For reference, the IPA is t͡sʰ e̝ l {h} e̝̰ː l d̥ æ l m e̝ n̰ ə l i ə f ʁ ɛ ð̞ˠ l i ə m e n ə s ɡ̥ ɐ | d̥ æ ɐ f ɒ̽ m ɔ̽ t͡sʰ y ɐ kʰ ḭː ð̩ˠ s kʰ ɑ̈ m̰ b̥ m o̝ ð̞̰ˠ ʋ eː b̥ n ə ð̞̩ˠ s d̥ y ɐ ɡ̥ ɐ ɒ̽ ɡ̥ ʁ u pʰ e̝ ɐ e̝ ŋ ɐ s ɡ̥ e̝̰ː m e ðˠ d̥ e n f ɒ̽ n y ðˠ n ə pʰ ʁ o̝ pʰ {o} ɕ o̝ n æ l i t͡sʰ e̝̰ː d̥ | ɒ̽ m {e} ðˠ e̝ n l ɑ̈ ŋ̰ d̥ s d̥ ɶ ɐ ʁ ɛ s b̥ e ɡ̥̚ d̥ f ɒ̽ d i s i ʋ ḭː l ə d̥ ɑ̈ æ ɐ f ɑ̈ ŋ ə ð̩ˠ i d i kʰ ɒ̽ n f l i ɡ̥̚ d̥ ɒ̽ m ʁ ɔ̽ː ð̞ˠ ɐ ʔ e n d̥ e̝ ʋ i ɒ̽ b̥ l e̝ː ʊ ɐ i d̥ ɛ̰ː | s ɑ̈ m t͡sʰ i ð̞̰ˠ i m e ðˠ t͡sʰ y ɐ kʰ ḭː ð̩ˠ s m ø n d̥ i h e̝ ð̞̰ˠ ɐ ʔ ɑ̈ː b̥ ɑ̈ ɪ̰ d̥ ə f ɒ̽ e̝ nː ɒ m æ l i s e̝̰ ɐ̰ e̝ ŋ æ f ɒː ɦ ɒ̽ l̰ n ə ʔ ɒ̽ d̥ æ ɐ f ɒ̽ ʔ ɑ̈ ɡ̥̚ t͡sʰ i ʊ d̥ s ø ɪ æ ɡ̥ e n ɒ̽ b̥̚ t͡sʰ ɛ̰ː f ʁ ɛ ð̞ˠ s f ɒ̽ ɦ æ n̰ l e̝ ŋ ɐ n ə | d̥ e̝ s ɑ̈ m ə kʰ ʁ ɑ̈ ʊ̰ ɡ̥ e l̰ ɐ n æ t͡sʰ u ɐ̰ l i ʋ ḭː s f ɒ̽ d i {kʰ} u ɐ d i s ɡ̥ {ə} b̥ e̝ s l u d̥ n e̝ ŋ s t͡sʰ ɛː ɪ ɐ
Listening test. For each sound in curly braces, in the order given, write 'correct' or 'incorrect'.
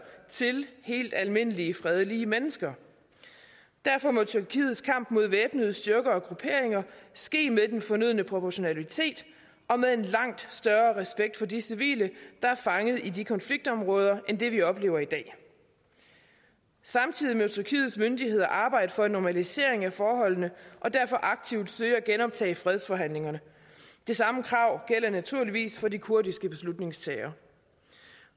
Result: correct, incorrect: ɒ, correct, correct, correct

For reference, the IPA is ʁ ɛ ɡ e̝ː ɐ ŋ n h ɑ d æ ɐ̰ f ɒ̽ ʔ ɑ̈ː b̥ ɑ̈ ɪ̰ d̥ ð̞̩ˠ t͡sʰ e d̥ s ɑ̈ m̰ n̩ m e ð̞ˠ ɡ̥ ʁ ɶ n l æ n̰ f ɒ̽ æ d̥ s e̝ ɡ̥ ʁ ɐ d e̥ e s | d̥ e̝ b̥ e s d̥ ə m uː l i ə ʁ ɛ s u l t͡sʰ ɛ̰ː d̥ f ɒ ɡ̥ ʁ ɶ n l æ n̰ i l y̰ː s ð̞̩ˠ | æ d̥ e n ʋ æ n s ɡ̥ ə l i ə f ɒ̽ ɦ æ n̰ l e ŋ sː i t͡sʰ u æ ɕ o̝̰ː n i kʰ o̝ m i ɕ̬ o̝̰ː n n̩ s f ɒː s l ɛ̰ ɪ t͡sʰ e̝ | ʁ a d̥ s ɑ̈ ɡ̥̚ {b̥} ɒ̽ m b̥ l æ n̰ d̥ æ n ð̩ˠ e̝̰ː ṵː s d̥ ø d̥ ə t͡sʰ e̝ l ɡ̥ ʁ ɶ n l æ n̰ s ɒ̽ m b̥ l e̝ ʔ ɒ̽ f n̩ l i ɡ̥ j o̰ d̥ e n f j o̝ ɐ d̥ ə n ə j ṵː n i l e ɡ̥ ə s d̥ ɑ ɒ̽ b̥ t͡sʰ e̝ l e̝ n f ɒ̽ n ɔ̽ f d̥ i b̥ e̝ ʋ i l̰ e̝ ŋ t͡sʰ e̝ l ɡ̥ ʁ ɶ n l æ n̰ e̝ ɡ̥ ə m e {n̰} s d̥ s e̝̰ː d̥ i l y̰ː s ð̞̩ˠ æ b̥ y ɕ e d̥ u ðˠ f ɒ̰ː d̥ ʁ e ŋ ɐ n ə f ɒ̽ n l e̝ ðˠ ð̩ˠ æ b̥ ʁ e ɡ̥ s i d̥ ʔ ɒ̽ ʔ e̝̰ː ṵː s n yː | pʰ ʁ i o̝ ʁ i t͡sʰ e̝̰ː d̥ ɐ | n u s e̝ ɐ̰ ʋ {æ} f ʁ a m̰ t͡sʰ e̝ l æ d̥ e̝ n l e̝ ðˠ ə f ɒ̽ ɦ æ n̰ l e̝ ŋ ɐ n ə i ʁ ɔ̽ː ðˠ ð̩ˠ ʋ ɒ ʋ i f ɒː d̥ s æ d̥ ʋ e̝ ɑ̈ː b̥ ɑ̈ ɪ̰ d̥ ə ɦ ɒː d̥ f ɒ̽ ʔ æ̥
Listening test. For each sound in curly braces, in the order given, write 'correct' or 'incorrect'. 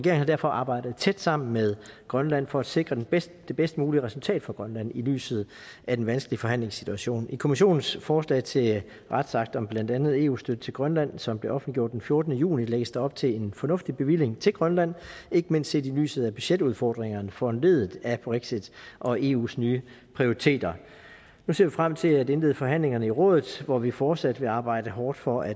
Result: incorrect: d̥, correct, incorrect: i

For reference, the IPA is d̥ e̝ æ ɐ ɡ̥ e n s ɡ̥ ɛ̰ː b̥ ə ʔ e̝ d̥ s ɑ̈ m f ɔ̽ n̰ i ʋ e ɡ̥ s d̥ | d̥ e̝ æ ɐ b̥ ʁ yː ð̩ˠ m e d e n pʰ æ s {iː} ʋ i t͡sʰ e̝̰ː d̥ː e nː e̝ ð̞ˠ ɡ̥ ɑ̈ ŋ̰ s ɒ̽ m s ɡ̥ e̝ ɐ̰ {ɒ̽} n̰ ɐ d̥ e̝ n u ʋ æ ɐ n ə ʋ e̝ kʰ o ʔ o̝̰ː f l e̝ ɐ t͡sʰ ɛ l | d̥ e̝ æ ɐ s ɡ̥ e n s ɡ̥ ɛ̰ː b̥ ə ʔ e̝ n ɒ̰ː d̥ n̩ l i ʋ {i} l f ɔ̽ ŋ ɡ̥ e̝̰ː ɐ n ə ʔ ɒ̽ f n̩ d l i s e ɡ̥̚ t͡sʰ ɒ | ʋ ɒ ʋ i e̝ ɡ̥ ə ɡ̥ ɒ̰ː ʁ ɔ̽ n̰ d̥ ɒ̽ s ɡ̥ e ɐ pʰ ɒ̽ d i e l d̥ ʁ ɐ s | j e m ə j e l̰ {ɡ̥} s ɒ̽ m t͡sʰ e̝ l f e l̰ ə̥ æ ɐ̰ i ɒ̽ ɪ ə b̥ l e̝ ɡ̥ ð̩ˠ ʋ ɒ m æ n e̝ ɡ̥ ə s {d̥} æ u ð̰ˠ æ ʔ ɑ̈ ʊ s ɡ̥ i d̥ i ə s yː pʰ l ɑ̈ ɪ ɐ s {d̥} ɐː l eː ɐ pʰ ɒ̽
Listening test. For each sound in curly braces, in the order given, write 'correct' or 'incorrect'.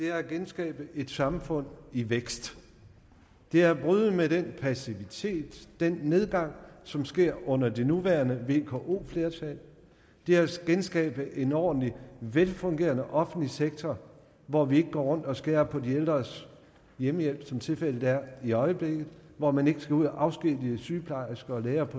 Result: incorrect: i, incorrect: ɔ̽, incorrect: e, incorrect: b̥, incorrect: ɡ̥, incorrect: ɡ̥

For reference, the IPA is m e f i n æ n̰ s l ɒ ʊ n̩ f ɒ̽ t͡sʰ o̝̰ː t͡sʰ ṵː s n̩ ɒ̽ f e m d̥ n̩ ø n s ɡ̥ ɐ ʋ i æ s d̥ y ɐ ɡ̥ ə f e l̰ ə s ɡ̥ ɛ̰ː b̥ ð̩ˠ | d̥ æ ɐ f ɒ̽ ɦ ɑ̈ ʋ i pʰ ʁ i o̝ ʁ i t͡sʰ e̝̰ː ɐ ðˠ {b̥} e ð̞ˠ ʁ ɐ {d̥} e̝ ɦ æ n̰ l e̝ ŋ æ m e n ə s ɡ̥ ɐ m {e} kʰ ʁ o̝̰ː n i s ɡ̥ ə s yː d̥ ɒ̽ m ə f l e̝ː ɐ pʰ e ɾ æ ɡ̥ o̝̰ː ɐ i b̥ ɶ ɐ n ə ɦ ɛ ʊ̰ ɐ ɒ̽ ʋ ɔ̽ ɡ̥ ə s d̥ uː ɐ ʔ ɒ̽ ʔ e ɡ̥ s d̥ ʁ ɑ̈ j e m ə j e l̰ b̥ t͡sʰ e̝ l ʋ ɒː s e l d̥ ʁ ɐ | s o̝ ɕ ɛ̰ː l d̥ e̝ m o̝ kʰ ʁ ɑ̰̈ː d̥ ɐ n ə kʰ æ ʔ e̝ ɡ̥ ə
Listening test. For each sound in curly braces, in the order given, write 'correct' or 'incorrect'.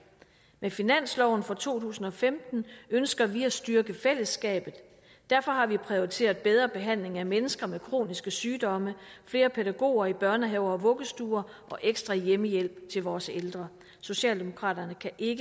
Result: correct, incorrect: b̥, correct

